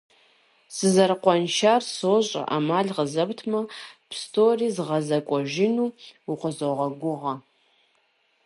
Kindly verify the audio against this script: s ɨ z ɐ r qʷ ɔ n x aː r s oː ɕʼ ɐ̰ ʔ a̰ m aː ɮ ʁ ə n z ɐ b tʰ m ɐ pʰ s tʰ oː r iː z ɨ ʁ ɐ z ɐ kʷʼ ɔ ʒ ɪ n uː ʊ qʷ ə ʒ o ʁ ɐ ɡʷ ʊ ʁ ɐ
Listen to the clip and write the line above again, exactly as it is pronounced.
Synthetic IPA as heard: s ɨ z ɐ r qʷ ɔ n ʃ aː r s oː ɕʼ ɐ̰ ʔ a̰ m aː ɮ ʁ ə z ɐ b tʰ m ɐ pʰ s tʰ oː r iː z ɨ ʁ ɐ z ɐ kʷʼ ɔ ʒ ɪ n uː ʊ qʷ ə z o ʁ ɐ ɡʷ ʊ ʁ ɐ